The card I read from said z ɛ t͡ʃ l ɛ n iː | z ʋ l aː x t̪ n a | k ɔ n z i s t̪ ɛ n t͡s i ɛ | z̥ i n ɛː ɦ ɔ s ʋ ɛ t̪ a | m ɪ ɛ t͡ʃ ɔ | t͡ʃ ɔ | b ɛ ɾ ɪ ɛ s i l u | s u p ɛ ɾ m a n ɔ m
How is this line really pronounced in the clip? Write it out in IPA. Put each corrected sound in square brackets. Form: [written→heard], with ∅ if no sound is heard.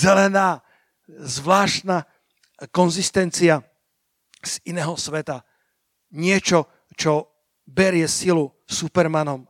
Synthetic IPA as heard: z ɛ [t͡ʃ→∅] l ɛ n [iː→aː] | z ʋ l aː [x→ʃ] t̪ n a | k ɔ n z i s t̪ ɛ n t͡s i [ɛ→a] | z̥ i n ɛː ɦ ɔ s ʋ ɛ t̪ a | [m→ɲ] ɪ ɛ t͡ʃ ɔ | t͡ʃ ɔ | b ɛ ɾ ɪ ɛ s i l u | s u p ɛ ɾ m a n ɔ m